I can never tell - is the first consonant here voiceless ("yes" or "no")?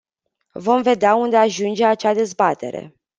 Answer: no